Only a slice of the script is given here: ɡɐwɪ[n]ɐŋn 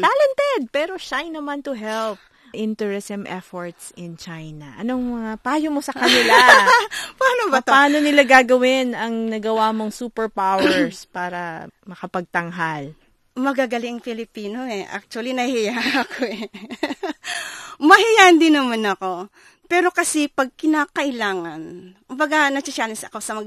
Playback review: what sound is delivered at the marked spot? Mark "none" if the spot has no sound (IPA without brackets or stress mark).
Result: n